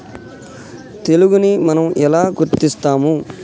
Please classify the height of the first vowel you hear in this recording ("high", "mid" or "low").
mid